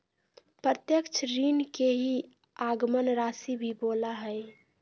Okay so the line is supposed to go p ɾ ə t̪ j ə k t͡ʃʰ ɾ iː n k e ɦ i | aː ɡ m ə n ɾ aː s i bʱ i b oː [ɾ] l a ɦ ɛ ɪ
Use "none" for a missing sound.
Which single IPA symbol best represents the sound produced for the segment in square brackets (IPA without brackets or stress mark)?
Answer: none